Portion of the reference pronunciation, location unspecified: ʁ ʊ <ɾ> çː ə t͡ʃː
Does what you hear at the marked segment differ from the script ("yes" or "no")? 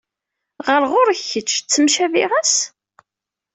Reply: no